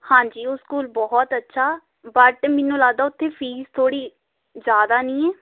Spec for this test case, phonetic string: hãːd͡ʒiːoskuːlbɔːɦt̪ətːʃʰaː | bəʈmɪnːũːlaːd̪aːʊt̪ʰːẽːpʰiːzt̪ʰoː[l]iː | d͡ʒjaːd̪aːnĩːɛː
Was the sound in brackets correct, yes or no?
no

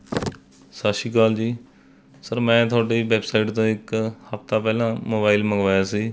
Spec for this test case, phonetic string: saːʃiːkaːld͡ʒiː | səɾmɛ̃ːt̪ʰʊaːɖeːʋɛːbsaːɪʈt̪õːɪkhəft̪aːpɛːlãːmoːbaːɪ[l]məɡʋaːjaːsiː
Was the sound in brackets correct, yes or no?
yes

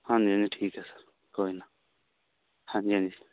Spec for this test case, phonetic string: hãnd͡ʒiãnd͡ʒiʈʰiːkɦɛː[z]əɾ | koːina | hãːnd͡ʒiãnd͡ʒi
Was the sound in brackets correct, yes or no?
no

